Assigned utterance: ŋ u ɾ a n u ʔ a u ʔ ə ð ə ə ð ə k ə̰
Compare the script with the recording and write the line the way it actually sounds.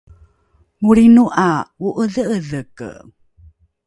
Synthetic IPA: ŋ u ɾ i n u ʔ a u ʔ ə ð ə ə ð ə k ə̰